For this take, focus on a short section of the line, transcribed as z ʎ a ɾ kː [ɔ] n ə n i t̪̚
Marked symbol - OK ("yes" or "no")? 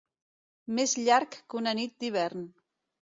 no